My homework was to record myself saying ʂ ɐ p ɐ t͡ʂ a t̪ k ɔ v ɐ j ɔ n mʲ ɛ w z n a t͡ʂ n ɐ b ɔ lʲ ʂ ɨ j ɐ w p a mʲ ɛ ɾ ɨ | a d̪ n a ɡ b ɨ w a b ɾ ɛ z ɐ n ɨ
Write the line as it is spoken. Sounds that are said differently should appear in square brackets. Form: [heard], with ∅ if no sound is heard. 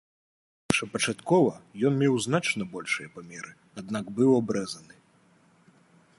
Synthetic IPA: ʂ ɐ p ɐ t͡ʂ a t̪ k ɔ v ɐ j ɔ n mʲ ɛ w z n a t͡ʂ n ɐ b ɔ lʲ ʂ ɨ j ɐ [∅] p a mʲ ɛ ɾ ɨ | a d̪ n a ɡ b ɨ w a b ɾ ɛ z ɐ n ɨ